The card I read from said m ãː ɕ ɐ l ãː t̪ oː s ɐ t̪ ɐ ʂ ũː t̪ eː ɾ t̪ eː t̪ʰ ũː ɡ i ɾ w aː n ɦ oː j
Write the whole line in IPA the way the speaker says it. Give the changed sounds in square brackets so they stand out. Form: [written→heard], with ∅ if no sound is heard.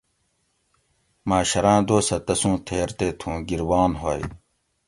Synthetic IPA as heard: m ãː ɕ ɐ [l→ɾ] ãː [t̪→d̪] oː s ɐ t̪ ɐ [ʂ→s] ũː [t̪→t̪ʰ] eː ɾ t̪ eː t̪ʰ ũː ɡ i ɾ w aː n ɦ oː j